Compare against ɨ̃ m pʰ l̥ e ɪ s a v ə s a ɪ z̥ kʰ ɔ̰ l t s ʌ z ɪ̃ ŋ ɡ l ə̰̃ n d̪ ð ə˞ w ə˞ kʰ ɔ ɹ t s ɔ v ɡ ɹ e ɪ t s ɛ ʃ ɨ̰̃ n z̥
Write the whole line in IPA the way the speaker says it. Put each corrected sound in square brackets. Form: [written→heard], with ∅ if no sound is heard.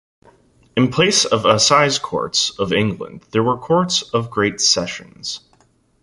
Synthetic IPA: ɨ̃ [m→n] pʰ l̥ e ɪ s [a→ʌ] v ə s a ɪ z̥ kʰ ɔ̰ [l→ɹ] t s ʌ [z→v] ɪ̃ ŋ ɡ l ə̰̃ n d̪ ð ə˞ w ə˞ kʰ ɔ ɹ t s [ɔ→ʌ] v ɡ ɹ e ɪ t s ɛ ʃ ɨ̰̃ n z̥